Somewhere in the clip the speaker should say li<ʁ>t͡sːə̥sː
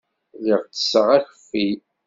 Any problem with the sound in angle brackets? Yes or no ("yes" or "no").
no